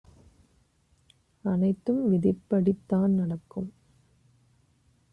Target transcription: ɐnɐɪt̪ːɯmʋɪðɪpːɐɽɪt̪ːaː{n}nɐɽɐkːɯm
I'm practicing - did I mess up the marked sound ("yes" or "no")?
no